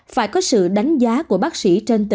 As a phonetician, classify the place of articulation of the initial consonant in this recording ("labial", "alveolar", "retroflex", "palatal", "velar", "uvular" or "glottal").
labial